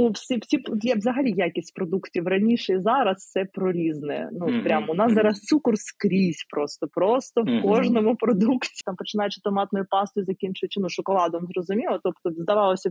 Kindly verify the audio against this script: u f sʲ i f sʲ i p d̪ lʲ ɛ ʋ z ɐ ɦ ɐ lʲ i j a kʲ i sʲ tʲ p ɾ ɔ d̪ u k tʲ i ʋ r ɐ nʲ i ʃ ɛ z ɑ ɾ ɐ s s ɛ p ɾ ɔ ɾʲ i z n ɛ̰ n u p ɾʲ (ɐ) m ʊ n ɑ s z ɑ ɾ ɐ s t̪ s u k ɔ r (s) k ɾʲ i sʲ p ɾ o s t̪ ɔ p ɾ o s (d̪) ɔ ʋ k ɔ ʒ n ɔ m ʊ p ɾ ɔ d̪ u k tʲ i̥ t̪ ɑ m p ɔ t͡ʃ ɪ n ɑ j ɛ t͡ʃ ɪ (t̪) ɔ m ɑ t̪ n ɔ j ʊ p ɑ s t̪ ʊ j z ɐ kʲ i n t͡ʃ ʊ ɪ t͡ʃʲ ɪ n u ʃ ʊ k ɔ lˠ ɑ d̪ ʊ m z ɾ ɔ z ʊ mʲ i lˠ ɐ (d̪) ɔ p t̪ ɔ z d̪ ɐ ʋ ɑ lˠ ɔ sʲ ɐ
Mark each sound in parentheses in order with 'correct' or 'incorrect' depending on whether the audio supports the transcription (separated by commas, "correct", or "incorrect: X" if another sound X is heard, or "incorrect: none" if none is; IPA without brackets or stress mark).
incorrect: a, correct, incorrect: t̪, correct, incorrect: t̪